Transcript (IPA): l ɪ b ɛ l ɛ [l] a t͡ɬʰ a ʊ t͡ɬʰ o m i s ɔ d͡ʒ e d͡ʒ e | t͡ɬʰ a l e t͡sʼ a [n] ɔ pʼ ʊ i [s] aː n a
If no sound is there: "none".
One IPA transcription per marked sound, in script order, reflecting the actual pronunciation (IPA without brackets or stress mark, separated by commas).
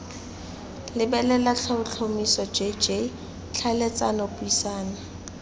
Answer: l, n, s